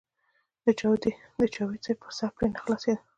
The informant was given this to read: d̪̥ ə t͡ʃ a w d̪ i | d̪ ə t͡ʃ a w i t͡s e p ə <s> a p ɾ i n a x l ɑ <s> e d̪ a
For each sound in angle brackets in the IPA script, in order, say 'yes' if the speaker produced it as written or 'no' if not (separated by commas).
yes, yes